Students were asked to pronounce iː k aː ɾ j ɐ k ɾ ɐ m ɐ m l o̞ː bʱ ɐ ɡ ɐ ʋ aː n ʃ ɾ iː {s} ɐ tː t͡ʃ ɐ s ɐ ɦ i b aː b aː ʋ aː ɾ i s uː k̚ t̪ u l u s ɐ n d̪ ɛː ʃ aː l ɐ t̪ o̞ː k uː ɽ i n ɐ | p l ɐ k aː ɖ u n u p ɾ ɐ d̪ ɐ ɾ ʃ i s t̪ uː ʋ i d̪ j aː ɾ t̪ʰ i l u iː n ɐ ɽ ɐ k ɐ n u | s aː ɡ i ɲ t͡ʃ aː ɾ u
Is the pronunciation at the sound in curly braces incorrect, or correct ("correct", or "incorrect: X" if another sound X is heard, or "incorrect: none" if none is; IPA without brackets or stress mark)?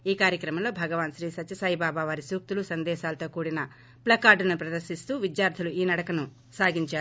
correct